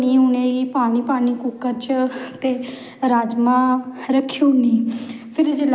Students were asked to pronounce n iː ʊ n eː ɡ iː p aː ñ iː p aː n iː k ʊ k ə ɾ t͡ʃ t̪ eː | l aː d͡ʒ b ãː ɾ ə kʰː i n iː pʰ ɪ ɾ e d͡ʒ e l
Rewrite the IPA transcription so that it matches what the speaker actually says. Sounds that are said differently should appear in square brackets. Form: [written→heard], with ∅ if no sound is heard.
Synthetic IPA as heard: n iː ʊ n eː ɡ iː p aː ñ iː p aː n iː k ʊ k ə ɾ t͡ʃ t̪ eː | [l→ɾ] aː d͡ʒ [b→m] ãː ɾ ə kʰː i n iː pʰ ɪ ɾ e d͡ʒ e l